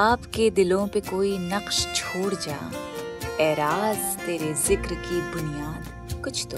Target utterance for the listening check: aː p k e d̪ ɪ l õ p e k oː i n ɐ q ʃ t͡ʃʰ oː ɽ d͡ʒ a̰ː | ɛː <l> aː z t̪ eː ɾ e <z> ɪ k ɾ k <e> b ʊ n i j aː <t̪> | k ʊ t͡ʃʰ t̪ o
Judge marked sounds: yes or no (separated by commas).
no, yes, no, no